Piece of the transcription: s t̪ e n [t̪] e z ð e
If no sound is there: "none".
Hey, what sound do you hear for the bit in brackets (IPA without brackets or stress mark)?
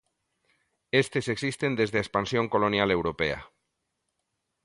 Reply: d̪